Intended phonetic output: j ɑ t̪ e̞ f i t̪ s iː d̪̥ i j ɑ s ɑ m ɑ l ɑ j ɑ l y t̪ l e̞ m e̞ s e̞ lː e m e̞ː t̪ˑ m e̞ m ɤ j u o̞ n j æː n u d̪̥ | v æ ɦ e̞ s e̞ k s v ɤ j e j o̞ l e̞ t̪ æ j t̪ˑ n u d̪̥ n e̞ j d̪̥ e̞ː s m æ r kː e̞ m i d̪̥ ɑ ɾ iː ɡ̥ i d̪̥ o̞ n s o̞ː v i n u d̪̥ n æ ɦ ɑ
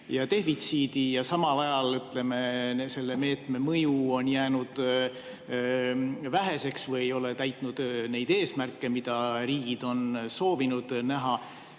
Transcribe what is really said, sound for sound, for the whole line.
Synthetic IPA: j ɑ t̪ e̞ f i t̪ s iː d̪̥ i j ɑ s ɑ m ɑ l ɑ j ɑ l y t̪ l e̞ m e̞ s e̞ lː e m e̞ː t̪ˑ m e̞ m ɤ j u o̞ n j æː n u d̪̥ | v æ ɦ e̞ s e̞ k s v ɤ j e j o̞ l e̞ t̪ æ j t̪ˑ n u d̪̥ n e̞ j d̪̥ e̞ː s m æ r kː e̞ m i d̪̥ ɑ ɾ iː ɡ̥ i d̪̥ o̞ n s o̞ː v i n u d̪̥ n æ ɦ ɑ